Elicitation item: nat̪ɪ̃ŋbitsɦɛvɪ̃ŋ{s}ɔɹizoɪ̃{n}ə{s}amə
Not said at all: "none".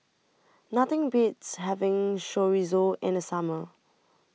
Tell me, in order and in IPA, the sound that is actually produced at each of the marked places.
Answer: ʃ, n, s

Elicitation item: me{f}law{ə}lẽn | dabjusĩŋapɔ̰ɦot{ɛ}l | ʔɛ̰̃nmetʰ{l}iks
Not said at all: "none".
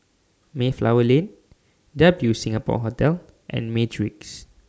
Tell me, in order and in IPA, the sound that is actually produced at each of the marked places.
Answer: f, ə, ɛ, ɹ

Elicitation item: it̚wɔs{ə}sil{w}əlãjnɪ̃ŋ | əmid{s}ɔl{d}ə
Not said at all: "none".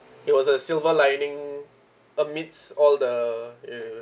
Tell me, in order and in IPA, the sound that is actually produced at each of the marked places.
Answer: ə, v, s, d

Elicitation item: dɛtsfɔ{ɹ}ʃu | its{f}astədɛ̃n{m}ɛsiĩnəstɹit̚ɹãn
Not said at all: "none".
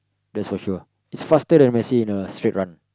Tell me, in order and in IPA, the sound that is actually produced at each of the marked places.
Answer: none, f, m

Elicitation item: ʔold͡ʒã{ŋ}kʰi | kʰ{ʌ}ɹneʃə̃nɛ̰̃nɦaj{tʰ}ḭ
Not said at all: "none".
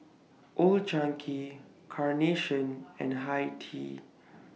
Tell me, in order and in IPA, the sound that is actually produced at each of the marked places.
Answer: ŋ, a, tʰ

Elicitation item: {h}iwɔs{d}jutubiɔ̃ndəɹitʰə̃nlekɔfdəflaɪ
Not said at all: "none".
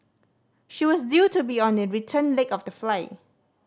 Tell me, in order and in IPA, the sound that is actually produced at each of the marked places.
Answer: ʃ, d

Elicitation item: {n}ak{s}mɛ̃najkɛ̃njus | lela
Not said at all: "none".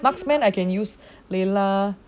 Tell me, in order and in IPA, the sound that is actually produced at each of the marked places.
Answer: m, s

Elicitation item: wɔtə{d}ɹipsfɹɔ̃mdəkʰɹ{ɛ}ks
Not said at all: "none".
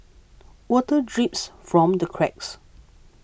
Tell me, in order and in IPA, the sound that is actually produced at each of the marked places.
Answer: d, ɛ

